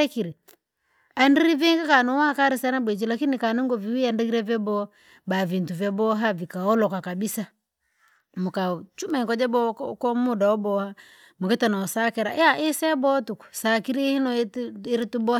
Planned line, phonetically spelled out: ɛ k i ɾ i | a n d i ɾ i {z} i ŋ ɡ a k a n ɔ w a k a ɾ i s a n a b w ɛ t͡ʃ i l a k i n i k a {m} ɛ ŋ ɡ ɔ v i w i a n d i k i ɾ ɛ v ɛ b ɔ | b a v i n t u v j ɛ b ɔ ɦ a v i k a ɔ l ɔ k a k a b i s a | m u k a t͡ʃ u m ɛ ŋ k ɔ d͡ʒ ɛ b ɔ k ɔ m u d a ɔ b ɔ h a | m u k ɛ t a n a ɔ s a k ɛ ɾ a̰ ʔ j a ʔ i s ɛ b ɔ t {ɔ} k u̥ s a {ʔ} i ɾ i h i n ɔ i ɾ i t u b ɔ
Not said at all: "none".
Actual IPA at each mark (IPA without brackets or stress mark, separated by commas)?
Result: v, n, u, k